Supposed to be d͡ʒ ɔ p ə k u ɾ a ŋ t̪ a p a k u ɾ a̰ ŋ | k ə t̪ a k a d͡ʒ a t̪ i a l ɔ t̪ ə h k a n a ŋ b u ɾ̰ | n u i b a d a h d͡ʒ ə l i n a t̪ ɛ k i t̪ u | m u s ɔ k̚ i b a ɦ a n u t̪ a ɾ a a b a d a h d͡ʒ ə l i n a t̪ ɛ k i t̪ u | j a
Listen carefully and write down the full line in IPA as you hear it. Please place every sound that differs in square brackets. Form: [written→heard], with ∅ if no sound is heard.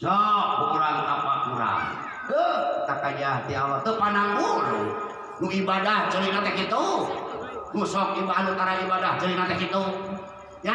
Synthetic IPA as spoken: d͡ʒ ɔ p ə k u ɾ a ŋ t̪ a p a k u ɾ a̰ ŋ | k ə t̪ a k a d͡ʒ a t̪ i a l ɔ t̪ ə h [k→p] a n a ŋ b u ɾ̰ | n u i b a d a h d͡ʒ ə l i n a t̪ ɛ k i t̪ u | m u s ɔ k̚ i b a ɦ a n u t̪ a ɾ a [a→i] b a d a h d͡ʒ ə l i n a t̪ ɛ k i t̪ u | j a